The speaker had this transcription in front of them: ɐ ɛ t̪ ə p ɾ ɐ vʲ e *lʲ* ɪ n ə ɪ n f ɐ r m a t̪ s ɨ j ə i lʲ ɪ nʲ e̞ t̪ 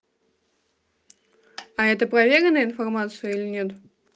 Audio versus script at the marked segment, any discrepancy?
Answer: yes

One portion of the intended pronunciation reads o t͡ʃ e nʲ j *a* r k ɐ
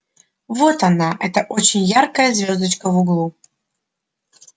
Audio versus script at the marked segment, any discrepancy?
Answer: no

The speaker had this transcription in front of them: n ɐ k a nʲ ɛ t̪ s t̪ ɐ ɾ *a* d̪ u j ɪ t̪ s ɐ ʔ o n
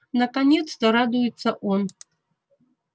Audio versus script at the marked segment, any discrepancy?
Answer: no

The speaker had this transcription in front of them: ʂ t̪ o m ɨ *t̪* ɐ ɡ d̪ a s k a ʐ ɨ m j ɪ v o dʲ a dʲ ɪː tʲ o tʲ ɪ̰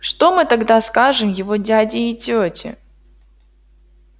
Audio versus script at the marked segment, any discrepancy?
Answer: no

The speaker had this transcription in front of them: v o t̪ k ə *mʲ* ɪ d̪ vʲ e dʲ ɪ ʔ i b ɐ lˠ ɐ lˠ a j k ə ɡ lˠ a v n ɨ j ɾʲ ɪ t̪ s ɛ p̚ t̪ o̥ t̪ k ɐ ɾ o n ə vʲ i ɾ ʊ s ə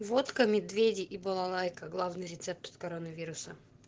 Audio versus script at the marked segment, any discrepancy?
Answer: no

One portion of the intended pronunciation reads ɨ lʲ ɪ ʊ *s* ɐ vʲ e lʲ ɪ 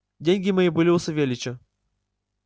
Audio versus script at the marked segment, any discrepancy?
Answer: no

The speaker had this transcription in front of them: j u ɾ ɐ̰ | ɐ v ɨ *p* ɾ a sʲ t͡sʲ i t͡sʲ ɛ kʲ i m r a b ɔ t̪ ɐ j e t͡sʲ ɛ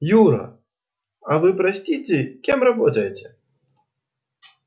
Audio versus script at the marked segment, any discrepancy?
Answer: no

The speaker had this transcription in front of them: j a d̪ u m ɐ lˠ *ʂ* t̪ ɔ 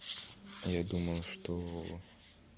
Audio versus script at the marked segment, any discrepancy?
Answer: no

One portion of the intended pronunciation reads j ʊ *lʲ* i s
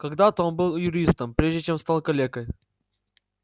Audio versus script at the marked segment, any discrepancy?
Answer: yes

